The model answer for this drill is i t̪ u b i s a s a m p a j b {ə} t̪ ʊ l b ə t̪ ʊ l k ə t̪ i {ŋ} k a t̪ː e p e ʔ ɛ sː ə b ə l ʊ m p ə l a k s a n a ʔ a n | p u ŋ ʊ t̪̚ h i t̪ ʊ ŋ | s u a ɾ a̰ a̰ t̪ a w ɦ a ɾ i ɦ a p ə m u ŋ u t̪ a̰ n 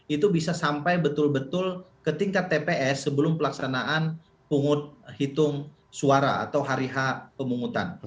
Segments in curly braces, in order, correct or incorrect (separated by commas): correct, correct